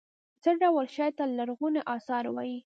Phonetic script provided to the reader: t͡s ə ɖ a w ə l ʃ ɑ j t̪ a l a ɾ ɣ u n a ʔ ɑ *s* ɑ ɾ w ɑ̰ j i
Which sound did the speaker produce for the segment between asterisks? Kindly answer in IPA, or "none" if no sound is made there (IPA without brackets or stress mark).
s